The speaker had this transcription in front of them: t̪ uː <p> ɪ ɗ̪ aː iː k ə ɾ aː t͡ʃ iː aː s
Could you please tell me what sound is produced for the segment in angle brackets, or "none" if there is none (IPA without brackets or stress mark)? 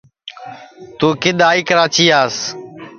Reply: k